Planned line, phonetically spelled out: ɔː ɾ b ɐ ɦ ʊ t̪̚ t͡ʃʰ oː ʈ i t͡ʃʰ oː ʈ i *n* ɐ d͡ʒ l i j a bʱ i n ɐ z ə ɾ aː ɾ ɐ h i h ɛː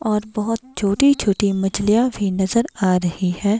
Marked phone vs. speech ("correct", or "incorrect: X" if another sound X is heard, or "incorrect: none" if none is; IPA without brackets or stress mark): incorrect: m